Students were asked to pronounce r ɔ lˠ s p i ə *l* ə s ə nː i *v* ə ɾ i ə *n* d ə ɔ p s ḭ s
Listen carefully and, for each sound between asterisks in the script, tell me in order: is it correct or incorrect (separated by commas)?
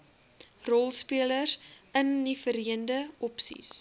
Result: correct, incorrect, correct